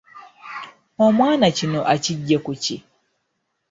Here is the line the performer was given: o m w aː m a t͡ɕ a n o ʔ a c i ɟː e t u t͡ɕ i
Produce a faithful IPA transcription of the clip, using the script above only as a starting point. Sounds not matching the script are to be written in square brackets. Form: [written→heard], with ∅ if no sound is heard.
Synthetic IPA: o m w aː [m→n] a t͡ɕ [a→i] n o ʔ a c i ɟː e [t→k] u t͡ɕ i